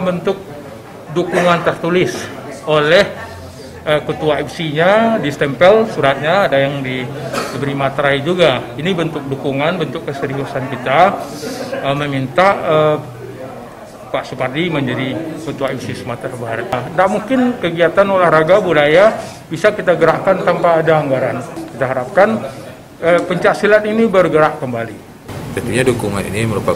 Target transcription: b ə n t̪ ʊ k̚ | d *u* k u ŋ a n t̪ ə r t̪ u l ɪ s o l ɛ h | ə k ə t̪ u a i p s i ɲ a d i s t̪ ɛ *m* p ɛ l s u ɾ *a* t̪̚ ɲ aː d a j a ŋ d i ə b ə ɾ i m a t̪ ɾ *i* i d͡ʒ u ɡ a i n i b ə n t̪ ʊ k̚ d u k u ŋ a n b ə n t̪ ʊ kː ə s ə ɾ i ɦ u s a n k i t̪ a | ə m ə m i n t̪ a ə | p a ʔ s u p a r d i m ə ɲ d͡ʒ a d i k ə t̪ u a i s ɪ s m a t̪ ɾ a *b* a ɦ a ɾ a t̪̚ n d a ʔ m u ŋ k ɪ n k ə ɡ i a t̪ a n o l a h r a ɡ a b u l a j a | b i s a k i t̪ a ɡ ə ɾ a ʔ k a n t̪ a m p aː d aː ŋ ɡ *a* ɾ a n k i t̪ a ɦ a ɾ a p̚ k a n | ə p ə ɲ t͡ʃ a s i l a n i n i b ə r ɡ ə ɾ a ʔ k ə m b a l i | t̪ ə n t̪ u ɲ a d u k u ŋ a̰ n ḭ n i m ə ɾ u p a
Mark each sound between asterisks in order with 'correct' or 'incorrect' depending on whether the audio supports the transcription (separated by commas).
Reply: correct, correct, correct, incorrect, correct, correct